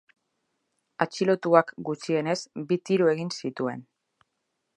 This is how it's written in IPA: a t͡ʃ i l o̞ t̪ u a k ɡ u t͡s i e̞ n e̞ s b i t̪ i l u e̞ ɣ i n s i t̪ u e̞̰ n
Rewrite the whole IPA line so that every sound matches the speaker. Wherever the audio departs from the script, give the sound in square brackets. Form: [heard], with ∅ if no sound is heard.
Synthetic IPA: a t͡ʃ i l o̞ t̪ u a k ɡ u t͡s i e̞ n e̞ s b i t̪ i [ɾ] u e̞ ɣ i n s i t̪ u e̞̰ n